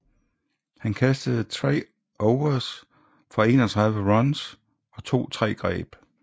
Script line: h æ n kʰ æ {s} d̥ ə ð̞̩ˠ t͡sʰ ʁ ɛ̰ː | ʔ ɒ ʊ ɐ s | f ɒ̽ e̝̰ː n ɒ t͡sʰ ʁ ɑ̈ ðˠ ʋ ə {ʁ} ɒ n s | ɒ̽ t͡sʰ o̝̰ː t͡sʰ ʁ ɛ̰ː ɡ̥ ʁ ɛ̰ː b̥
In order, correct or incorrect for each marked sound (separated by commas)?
correct, correct